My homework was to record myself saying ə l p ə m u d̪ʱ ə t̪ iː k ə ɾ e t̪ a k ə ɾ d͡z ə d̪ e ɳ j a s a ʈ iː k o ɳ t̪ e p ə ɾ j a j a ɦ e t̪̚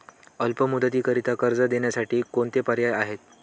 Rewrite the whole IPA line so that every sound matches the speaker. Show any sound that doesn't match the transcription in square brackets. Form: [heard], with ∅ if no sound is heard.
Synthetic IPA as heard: ə l p ə m u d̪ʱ ə t̪ iː k ə ɾ [i] t̪ a k ə ɾ d͡z ə d̪ e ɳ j a s a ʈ iː k o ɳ t̪ e p ə ɾ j a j a ɦ e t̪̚